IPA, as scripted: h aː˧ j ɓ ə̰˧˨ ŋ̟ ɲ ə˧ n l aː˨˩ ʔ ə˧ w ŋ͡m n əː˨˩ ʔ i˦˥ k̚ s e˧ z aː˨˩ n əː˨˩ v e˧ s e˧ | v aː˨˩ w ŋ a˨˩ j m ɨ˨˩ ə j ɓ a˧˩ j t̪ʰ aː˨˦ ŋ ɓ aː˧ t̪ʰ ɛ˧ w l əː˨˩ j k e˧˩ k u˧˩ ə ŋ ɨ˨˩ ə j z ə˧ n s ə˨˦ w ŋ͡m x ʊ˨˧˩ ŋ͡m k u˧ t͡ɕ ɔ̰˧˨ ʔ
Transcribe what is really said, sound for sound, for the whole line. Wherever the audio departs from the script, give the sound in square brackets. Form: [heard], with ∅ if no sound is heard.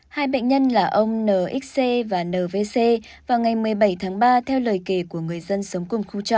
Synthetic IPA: h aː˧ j ɓ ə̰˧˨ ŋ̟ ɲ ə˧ n l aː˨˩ ʔ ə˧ w ŋ͡m n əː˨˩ ʔ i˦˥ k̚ s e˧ [v] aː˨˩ n əː˨˩ v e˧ s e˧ | v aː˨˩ w ŋ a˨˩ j m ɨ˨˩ ə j ɓ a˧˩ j t̪ʰ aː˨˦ ŋ ɓ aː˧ t̪ʰ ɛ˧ w l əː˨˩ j k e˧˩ k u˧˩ ə ŋ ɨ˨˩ ə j z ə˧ n s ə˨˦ w ŋ͡m [k] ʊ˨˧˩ ŋ͡m [x] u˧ t͡ɕ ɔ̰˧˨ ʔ